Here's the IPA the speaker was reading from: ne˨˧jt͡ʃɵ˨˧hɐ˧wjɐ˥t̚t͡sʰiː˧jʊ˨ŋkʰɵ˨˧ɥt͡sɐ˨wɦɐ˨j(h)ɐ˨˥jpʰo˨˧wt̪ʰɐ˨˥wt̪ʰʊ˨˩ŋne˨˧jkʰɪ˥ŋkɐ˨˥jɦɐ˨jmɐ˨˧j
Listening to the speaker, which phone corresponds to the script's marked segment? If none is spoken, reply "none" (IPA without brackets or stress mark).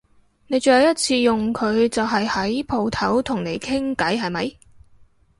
h